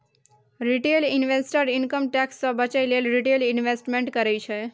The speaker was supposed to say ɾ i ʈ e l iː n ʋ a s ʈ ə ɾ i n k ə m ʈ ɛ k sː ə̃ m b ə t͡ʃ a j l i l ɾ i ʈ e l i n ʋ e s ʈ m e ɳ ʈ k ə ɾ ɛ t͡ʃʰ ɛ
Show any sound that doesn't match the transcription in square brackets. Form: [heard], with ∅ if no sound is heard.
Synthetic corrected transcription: ɾ i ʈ e l [i] n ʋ [e] s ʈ ə ɾ i n k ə m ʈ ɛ k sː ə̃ [∅] b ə t͡ʃ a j l [e] l ɾ i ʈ e l i n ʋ e s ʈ m e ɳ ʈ k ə ɾ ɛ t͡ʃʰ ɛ